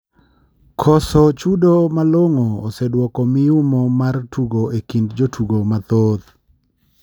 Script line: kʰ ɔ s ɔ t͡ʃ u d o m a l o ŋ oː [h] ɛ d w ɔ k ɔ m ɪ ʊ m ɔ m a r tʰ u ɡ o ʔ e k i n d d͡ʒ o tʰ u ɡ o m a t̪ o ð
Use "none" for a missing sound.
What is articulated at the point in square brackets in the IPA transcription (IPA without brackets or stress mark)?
s